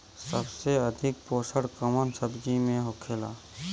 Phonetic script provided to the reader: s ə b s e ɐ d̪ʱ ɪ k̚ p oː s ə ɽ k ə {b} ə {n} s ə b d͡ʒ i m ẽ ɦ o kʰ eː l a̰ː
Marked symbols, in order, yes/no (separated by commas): no, yes